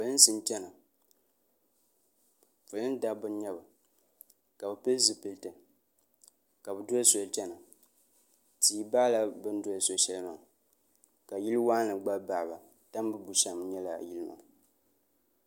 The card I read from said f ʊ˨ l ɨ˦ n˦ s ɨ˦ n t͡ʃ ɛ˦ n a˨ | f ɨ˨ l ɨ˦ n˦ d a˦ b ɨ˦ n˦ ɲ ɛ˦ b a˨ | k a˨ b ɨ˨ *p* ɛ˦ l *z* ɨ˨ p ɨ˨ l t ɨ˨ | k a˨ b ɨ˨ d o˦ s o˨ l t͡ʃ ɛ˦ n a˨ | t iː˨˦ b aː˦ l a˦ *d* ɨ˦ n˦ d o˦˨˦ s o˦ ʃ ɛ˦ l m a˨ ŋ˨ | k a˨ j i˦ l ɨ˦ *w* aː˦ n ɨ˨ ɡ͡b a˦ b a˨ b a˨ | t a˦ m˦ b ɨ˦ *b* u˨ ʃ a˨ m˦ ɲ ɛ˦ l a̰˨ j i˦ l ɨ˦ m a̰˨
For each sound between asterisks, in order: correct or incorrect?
correct, correct, incorrect, correct, correct

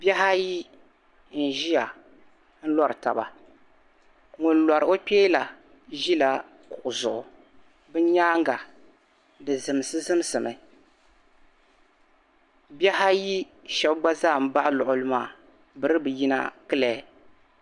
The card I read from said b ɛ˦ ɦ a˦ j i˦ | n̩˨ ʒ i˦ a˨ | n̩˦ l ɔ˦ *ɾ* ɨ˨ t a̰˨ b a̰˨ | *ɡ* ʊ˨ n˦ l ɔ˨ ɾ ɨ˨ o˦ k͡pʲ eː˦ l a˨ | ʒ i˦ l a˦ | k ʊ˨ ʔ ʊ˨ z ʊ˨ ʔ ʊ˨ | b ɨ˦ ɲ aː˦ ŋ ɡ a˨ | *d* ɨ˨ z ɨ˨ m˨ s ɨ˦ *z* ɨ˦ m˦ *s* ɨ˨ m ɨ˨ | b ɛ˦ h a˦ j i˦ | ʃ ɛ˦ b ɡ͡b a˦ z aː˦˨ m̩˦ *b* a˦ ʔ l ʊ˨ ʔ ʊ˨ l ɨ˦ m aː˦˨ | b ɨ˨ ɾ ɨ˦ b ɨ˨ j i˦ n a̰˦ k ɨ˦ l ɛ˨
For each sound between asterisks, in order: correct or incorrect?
correct, incorrect, correct, correct, correct, correct

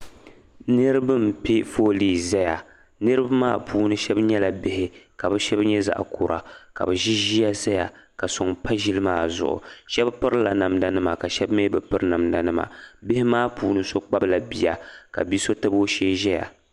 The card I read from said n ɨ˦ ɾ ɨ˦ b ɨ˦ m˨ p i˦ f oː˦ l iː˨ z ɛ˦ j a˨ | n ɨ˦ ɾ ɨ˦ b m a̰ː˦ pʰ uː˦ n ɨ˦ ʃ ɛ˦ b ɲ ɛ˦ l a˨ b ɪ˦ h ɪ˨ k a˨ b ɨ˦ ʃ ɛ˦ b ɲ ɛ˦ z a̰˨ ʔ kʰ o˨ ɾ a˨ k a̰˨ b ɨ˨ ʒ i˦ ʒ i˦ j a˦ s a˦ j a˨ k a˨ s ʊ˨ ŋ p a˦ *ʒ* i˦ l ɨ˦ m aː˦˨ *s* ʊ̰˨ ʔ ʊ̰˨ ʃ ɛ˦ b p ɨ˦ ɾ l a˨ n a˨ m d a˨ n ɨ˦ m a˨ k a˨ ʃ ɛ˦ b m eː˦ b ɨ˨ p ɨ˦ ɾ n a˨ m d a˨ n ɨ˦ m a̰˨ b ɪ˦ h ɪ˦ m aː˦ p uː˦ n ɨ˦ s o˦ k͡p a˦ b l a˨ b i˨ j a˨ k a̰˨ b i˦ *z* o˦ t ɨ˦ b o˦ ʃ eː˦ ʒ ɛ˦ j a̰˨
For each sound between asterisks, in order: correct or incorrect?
correct, incorrect, incorrect

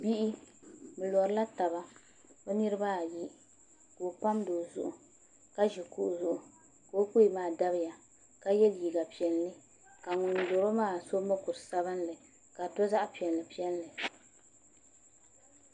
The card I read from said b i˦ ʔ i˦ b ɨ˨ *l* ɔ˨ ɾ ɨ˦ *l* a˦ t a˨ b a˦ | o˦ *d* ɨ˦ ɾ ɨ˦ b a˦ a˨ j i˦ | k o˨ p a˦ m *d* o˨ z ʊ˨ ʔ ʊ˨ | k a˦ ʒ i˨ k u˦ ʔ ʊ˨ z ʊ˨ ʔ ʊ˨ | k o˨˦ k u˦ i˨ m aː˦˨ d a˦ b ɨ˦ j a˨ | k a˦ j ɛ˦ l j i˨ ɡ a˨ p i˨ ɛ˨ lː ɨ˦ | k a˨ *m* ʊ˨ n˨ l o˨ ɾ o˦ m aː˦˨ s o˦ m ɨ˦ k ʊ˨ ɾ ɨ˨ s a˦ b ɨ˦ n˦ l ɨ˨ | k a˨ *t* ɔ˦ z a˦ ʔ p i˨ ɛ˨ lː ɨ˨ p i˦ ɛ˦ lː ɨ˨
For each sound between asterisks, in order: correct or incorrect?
correct, correct, incorrect, correct, incorrect, correct

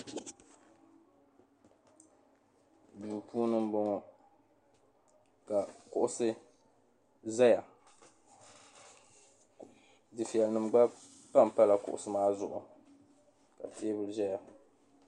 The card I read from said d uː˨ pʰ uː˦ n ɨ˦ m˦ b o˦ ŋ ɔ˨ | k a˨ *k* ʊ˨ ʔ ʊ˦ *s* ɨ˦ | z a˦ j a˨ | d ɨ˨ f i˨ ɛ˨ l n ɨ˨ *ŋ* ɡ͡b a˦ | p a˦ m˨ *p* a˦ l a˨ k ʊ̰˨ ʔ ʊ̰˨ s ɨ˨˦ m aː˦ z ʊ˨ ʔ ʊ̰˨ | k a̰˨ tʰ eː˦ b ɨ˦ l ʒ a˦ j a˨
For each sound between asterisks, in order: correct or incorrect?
correct, correct, incorrect, correct

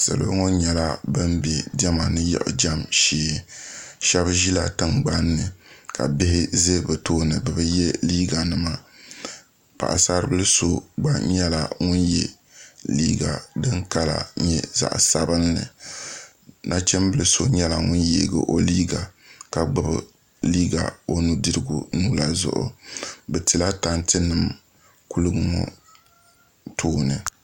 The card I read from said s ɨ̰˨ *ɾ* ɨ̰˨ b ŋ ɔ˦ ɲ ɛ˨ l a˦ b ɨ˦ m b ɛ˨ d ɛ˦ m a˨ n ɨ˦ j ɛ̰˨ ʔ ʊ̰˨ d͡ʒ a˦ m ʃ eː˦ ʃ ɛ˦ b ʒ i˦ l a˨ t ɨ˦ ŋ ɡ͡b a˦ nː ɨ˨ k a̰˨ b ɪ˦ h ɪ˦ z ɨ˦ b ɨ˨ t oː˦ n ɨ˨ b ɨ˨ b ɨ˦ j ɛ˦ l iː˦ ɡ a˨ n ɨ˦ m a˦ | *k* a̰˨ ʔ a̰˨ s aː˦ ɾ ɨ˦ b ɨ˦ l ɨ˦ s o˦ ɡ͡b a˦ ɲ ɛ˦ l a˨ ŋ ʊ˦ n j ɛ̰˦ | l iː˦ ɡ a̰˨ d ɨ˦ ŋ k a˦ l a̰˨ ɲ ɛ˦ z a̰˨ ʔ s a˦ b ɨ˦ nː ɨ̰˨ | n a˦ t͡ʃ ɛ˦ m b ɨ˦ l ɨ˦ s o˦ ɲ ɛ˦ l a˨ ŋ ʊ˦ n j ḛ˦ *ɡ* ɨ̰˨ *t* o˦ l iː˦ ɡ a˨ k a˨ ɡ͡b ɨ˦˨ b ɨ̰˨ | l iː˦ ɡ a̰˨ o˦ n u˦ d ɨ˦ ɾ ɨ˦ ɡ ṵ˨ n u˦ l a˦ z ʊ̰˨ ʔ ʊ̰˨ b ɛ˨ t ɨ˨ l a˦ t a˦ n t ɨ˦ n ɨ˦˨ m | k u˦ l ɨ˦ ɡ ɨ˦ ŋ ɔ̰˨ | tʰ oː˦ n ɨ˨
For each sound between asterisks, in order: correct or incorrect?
incorrect, incorrect, correct, incorrect

